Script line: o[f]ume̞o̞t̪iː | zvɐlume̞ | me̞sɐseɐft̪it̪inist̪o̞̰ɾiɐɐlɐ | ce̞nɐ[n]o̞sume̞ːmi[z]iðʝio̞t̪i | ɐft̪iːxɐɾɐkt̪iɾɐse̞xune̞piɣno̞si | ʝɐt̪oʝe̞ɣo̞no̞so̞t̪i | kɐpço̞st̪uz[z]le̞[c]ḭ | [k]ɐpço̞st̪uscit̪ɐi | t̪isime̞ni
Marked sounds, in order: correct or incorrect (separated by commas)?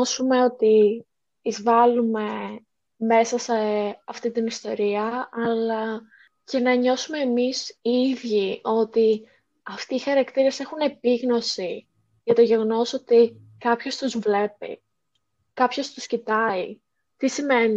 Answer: incorrect, incorrect, incorrect, incorrect, incorrect, correct